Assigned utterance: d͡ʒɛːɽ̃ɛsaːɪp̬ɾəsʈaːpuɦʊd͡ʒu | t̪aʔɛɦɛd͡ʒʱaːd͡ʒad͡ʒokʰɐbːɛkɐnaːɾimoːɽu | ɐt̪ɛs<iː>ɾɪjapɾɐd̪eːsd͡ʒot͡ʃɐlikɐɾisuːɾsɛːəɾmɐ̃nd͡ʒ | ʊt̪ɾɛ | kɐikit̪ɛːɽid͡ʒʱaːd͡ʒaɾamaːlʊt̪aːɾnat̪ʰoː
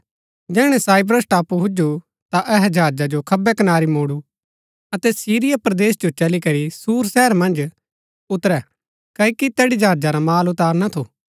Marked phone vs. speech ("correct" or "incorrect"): correct